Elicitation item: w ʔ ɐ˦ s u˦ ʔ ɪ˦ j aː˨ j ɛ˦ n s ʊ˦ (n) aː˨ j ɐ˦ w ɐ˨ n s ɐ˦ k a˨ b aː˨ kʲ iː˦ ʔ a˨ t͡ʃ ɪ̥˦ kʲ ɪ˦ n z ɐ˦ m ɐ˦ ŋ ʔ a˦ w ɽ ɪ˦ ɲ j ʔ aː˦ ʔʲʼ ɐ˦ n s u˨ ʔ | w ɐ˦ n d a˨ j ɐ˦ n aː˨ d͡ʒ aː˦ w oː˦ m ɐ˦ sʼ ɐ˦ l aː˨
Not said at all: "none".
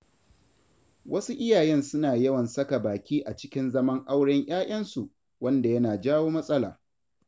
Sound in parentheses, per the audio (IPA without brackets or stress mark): n